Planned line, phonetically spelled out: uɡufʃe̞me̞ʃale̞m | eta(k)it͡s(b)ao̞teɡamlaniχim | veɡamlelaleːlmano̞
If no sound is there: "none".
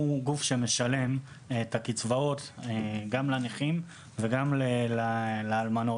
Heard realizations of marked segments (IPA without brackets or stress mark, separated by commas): k, v